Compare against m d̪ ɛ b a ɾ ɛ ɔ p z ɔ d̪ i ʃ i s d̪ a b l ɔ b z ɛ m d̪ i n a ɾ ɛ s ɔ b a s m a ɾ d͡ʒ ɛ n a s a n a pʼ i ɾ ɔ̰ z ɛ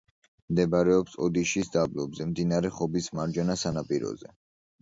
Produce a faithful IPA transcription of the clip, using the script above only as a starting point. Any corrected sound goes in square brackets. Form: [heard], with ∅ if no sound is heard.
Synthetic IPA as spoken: m d̪ ɛ b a ɾ ɛ ɔ p [s] ɔ d̪ i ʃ i s d̪ a b l ɔ b z ɛ m d̪ i n a ɾ ɛ [χ] ɔ b [i] s m a ɾ d͡ʒ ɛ n a s a n a pʼ i ɾ ɔ̰ z ɛ